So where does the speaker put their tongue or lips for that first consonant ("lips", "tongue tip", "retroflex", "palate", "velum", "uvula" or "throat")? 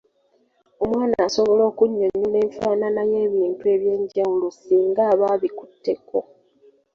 lips